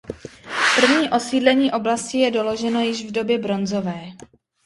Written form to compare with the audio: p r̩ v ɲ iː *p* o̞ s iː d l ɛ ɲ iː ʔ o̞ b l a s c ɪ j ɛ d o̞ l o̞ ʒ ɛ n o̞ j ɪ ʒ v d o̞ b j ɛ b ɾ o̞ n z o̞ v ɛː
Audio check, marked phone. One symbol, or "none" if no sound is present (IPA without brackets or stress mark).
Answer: ʔ